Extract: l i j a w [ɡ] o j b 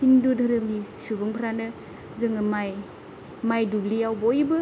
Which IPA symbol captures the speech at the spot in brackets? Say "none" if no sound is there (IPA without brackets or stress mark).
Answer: b